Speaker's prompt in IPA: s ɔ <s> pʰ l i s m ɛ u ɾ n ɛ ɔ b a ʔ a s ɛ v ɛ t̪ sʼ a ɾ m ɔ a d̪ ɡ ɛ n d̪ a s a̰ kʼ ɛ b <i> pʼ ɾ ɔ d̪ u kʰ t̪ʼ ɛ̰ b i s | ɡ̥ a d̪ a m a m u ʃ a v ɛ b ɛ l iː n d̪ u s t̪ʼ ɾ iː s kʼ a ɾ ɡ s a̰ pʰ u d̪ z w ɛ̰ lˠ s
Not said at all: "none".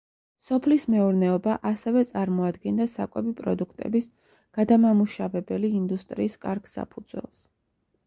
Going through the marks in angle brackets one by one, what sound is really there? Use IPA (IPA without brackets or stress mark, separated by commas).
none, i